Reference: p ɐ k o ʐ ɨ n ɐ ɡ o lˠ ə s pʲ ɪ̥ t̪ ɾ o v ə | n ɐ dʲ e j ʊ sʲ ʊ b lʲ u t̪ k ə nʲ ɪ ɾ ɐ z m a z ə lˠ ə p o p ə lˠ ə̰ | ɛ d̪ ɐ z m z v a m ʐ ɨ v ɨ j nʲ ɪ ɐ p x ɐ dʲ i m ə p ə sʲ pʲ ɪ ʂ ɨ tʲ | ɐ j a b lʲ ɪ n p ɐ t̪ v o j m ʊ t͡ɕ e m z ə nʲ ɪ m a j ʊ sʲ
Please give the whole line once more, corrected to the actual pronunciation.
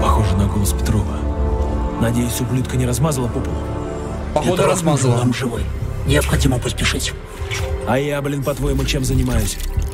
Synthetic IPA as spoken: p ɐ x o ʐ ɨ n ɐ ɡ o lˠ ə s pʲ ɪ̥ t̪ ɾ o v ə | n ɐ dʲ e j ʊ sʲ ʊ b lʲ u t̪ k ə nʲ ɪ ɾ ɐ z m a z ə lˠ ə p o p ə lˠ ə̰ | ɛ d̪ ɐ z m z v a m ʐ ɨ v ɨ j nʲ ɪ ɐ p x ɐ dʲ i m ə p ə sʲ pʲ ɪ ʂ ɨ tʲ | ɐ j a b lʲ ɪ n p ɐ t̪ v o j m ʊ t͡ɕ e m z ə nʲ ɪ m a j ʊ sʲ

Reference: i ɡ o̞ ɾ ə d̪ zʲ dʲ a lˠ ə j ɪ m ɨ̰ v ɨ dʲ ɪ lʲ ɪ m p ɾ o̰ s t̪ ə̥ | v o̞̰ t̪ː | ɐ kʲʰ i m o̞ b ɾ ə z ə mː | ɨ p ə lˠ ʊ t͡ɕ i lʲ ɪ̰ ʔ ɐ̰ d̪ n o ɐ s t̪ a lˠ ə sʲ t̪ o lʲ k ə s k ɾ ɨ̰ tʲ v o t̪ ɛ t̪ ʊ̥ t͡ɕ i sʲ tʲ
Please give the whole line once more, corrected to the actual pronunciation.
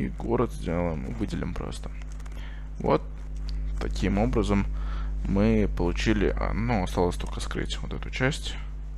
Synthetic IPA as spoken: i ɡ o̞ ɾ ə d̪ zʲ dʲ e lˠ ə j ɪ m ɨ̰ v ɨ dʲ ɪ lʲ ɪ m p ɾ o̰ s t̪ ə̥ | v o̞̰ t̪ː | ɐ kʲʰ i m o̞ b ɾ ə z ə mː | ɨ p ə lˠ ʊ t͡ɕ i lʲ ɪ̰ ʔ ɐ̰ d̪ n o ɐ s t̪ a lˠ ə sʲ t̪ o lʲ k ə s k ɾ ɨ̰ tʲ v o t̪ ɛ t̪ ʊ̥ t͡ɕ æ sʲ tʲ

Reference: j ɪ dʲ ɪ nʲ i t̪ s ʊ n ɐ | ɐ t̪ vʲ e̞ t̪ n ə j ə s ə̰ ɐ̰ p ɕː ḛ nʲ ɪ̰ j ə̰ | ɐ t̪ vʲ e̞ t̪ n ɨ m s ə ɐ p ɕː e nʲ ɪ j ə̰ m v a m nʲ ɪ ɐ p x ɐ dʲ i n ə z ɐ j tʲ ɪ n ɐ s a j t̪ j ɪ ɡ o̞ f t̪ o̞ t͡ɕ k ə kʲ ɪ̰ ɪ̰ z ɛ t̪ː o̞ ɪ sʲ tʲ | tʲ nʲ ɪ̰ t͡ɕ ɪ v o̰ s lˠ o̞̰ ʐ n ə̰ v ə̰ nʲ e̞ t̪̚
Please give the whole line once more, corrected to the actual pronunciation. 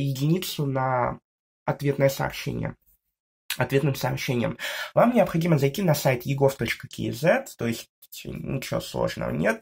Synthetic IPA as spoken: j ɪ dʲ ɪ nʲ i t̪ s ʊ n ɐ | ɐ t̪ vʲ e̞ t̪ n ə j ə s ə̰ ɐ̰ p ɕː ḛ nʲ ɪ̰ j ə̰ | ɐ t̪ vʲ e̞ t̪ n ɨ m s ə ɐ p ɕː e nʲ ɪ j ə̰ m v a m nʲ ɪ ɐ p x ɐ dʲ i m ə z ɐ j tʲ i n ɐ s a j t̪ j ɪ ɡ o̞ f t̪ o̞ t͡ɕ k ə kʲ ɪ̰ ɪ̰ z ɛ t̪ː o̞ ɪ sʲ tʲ | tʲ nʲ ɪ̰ t͡ɕ ɪ v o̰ s lˠ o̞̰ ʐ n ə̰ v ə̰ nʲ e̞ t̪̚

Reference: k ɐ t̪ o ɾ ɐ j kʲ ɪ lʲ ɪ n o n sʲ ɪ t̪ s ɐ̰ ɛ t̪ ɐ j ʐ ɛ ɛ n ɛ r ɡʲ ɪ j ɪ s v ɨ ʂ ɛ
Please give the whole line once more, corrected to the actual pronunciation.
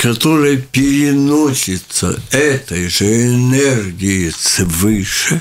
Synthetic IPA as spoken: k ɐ t̪ o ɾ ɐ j pʲ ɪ ɾʲ ɪ n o sʲ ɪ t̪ s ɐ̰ ɛ t̪ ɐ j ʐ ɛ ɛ n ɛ r ɡʲ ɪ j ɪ s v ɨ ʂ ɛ

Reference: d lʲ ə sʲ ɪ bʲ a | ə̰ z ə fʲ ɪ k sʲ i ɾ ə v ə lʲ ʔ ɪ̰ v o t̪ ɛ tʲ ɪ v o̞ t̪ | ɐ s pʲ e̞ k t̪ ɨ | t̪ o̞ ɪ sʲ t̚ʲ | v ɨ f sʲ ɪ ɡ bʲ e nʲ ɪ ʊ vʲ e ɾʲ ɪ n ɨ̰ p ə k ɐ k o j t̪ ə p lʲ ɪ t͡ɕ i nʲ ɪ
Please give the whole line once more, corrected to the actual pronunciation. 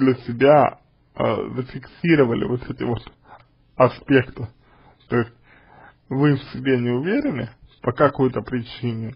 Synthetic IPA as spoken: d lʲ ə sʲ ɪ bʲ a | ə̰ z ə fʲ ɪ k sʲ i ɾ ə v ə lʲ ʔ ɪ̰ v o t̪ ɛ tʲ ɪ v o̞ t̪ | ɐ s pʲ e̞ k t̪ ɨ | t̪ o̞ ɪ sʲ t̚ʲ | v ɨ f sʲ ɪ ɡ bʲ e nʲ ɪ ʊ vʲ e ɾʲ ɪ n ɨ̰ p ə k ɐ k o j t̪ ə p ɾʲ ɪ t͡ɕ i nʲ ɪ

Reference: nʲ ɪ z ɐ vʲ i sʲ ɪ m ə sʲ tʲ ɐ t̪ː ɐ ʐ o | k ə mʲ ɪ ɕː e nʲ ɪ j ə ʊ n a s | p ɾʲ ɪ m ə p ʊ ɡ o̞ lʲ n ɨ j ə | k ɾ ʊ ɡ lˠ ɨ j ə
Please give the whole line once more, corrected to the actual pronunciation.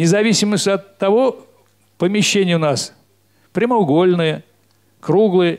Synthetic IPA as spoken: nʲ ɪ z ɐ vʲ i sʲ ɪ m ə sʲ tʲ ɐ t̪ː ɐ v o | p ə mʲ ɪ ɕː e nʲ ɪ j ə ʊ n a s | p ɾʲ ɪ m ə ʊ ɡ o̞ lʲ n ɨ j ə | k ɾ u ɡ lˠ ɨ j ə

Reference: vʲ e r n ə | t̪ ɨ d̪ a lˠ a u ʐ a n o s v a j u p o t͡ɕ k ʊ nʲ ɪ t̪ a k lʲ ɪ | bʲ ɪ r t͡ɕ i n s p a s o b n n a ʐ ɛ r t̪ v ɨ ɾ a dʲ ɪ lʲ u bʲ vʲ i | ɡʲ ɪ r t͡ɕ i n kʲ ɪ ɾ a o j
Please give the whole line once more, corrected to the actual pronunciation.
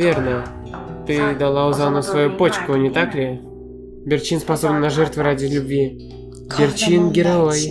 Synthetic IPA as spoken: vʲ e r n ə | t̪ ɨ d̪ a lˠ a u z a n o s v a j u p o t͡ɕ k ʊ nʲ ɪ t̪ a k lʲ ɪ | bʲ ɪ r t͡ɕ i n s p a s o b n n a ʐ ɛ r t̪ v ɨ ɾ a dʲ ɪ lʲ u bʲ vʲ i | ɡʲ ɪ r t͡ɕ i n ɡʲ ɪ ɾ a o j

